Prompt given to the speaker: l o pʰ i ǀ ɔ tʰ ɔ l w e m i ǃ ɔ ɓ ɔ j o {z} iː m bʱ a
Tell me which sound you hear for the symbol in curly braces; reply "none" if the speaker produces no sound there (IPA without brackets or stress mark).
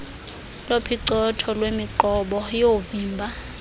v